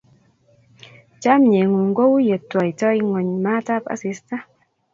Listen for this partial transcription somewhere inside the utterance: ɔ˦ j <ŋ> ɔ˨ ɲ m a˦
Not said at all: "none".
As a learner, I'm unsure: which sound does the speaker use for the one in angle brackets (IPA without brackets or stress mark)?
ŋ